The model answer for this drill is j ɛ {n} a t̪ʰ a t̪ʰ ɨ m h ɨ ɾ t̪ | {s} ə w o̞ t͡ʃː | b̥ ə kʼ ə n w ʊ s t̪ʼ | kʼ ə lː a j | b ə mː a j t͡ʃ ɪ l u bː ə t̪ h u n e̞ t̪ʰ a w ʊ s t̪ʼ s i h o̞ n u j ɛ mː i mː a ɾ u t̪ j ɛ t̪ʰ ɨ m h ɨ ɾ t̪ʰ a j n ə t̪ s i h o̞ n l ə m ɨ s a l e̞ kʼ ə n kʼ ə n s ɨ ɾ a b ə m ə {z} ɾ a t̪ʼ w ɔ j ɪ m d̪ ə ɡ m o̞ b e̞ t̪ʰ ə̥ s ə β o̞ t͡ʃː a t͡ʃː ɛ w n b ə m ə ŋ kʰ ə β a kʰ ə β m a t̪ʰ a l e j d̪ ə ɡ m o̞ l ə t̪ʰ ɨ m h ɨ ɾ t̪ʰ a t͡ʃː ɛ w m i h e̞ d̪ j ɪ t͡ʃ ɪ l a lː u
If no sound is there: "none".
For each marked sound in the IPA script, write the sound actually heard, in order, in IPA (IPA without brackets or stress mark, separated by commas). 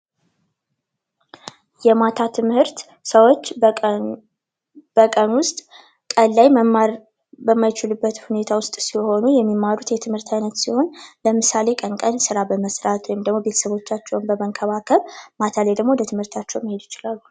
m, s, s